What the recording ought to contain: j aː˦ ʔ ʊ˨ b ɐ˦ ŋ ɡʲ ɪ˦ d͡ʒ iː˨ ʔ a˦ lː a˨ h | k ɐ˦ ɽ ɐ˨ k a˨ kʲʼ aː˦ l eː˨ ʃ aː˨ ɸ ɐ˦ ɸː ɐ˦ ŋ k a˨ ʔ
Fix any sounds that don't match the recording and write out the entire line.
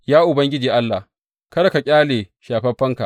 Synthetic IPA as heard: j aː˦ ʔ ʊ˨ b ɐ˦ ŋ ɡʲ ɪ˦ d͡ʒ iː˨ ʔ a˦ lː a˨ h | k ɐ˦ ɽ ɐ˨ k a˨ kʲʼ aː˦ l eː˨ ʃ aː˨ ɸ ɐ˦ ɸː ɐ˦ ŋ k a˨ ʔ